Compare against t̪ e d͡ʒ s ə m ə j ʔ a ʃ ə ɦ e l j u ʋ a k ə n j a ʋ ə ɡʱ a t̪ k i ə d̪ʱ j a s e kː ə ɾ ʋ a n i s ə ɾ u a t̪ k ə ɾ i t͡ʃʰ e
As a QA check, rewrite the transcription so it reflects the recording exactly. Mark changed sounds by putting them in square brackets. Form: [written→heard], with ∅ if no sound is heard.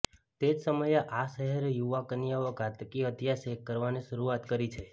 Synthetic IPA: t̪ e d͡ʒ s ə m ə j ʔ a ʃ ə ɦ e [l→ɾ] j u ʋ a k ə n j a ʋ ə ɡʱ a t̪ k i ə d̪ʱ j a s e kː ə ɾ ʋ a n i [s→ʃ] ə ɾ u a t̪ k ə ɾ i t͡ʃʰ e

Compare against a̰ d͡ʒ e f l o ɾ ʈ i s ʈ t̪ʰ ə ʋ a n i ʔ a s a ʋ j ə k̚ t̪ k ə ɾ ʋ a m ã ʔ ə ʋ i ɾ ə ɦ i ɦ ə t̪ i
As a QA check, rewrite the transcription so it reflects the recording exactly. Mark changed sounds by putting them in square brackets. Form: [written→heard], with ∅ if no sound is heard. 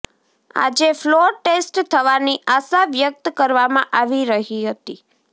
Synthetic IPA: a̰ d͡ʒ e f l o ɾ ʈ [i→e] s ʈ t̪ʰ ə ʋ a n i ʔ a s a ʋ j ə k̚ t̪ k ə ɾ ʋ a m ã ʔ [ə→a] ʋ i ɾ ə ɦ i ɦ ə t̪ i

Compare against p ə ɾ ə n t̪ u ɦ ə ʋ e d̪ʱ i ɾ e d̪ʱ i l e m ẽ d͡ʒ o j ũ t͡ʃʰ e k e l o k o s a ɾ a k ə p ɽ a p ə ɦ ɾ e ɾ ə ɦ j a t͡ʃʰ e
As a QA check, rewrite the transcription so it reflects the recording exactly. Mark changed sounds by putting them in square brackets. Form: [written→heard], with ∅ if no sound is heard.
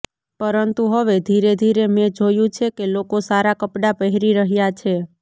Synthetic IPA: p ə ɾ ə n t̪ u ɦ ə ʋ e d̪ʱ i ɾ e d̪ʱ i [l→ɾ] e m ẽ d͡ʒ o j ũ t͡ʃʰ e k e l o k o s a ɾ a k ə p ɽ a p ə ɦ ɾ [e→i] ɾ ə ɦ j a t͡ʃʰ e

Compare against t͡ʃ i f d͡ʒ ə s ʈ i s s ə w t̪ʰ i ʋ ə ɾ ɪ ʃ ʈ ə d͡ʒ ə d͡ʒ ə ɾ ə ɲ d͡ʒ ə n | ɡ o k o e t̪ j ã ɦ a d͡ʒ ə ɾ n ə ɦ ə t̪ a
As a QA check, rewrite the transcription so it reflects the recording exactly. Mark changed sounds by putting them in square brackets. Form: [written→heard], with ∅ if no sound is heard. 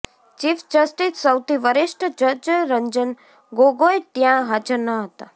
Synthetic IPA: t͡ʃ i f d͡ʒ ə s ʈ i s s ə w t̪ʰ i ʋ ə ɾ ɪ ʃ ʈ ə d͡ʒ ə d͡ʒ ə ɾ ə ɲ d͡ʒ ə n | ɡ o [k→ɡ] o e t̪ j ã ɦ a d͡ʒ ə ɾ n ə ɦ ə t̪ a

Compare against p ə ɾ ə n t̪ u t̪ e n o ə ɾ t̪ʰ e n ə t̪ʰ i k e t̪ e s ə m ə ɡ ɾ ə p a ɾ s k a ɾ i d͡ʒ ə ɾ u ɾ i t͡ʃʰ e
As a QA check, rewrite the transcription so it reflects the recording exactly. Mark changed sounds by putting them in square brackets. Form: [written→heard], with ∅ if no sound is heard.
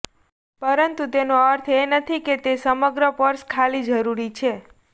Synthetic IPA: p ə ɾ ə n t̪ u t̪ e n o ə ɾ t̪ʰ e n ə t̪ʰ i k e t̪ e s ə m ə ɡ ɾ ə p [a→ə] ɾ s [k→kʰ] a [ɾ→l] i d͡ʒ ə ɾ u ɾ i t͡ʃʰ e

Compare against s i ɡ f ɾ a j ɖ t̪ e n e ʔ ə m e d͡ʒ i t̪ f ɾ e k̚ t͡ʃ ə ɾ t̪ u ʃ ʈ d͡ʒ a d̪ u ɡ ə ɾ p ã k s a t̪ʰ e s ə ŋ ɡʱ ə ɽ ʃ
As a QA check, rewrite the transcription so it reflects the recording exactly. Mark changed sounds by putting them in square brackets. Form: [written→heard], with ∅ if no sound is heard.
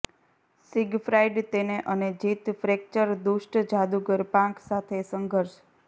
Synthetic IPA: s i ɡ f ɾ a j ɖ t̪ e n e ʔ ə [m→n] e d͡ʒ i t̪ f ɾ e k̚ t͡ʃ ə ɾ [t̪→d̪] u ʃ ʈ d͡ʒ a d̪ u ɡ ə ɾ p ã k s a t̪ʰ e s ə ŋ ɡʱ ə [ɽ→ɾ] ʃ

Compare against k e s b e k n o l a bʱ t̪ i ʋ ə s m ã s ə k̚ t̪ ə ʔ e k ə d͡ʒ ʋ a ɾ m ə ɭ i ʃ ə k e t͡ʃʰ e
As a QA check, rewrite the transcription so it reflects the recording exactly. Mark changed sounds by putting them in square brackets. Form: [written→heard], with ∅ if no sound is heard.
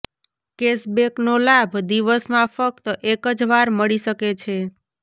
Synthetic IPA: k e s b e k n o l a bʱ [t̪→d̪] i ʋ ə s m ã [s→f] ə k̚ t̪ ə ʔ e k ə d͡ʒ ʋ a ɾ m ə ɭ i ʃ ə k e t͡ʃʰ e

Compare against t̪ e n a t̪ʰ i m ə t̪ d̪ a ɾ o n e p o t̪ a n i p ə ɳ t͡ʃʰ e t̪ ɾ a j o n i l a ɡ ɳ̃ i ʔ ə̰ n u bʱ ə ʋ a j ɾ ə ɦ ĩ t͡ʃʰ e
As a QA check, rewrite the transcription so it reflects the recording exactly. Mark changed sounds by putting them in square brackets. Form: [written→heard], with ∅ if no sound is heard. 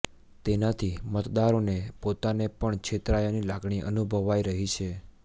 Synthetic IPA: t̪ e n a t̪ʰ i m ə t̪ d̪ a ɾ o n e p o t̪ a n [i→e] p ə ɳ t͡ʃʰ e t̪ ɾ a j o n i l a ɡ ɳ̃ i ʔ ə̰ n u bʱ ə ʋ a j ɾ ə ɦ [ĩ→i] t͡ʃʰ e

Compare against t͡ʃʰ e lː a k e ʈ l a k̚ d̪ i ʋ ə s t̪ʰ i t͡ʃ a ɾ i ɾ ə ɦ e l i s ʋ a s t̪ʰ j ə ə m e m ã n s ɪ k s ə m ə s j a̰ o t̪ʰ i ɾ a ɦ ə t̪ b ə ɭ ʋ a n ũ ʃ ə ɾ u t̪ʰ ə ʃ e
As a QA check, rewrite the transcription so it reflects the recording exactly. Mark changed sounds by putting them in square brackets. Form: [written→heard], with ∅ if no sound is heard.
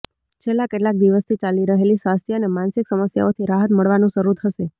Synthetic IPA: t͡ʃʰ e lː a k e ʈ l a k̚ d̪ i ʋ ə s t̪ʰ i t͡ʃ a [ɾ→l] i ɾ ə ɦ e l i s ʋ a s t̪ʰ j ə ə [m→n] e m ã n s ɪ k s ə m ə s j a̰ o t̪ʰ i ɾ a ɦ ə t̪ [b→m] ə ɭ ʋ a n ũ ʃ ə ɾ u t̪ʰ ə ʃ e

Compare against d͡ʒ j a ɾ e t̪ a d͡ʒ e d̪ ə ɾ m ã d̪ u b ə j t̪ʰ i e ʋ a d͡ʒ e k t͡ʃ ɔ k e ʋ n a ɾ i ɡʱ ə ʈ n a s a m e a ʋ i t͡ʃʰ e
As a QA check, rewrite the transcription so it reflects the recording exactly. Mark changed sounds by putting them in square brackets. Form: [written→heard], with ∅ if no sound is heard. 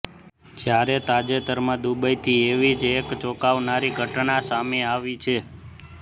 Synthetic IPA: d͡ʒ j a ɾ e t̪ a d͡ʒ e [d̪→t̪] ə ɾ m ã d̪ u b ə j t̪ʰ i e ʋ [a→i] d͡ʒ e k t͡ʃ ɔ k [e→a] ʋ n a ɾ i ɡʱ ə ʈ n a s a m e a ʋ i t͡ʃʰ e

